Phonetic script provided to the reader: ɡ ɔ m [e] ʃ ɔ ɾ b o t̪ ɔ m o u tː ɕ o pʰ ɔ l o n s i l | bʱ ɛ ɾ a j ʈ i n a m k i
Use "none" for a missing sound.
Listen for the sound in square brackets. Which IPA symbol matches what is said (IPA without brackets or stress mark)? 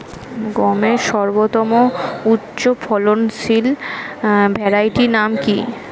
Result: e